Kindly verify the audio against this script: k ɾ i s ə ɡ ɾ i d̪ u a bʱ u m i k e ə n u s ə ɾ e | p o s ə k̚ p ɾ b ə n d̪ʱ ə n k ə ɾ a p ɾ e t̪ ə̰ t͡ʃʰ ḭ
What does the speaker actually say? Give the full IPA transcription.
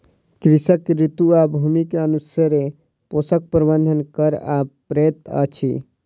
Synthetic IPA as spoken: k ɾ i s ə k ɾ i t̪ u a bʱ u m i k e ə n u s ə ɾ e | p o s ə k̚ p ɾ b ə n d̪ʱ ə n k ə ɾ a p ɾ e t̪ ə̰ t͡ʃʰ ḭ